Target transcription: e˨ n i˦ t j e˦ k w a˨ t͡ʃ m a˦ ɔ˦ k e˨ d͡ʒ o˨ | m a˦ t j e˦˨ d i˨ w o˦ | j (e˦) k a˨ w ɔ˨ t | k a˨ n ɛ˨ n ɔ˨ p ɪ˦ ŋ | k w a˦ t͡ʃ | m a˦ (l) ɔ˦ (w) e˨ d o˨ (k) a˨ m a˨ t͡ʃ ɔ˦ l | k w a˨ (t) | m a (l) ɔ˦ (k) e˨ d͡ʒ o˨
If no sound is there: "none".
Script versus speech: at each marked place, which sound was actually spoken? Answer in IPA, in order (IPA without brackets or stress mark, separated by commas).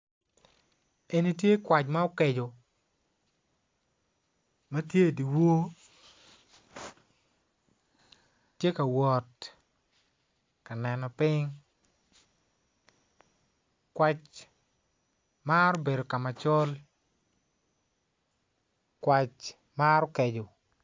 e˦, ɾ, b, k, t͡ʃ, ɾ, k